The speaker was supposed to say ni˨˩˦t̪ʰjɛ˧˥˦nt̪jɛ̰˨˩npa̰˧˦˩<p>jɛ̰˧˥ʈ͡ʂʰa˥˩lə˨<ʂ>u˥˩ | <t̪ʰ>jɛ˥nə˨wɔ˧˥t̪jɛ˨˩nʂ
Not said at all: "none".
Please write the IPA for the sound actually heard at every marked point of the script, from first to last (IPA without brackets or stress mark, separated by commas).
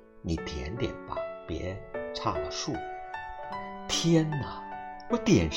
p, ʂ, t̪ʰ